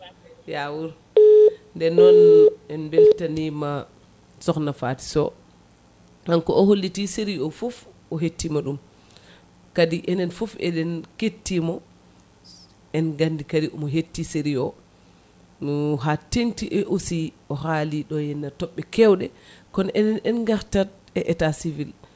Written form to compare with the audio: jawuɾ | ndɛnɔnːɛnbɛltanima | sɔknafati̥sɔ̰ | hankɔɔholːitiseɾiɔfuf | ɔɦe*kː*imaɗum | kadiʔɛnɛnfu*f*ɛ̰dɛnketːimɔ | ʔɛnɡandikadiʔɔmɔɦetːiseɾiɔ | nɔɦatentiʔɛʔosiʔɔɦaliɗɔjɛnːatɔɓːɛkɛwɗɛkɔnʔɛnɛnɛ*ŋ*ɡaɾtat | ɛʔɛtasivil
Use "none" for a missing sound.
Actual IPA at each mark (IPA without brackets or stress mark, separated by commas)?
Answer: tː, f, n